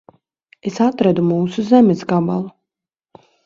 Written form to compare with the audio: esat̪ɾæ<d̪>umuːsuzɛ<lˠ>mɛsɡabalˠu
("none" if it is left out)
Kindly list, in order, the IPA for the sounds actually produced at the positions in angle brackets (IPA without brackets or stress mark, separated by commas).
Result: d̪, none